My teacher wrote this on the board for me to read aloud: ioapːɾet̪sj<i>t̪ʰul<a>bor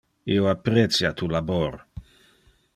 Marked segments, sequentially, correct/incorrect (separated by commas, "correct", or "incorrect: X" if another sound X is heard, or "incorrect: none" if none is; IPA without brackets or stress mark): incorrect: a, correct